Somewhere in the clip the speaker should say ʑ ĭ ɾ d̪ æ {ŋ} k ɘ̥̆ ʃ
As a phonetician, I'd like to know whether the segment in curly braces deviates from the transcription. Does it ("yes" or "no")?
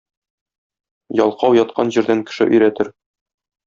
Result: no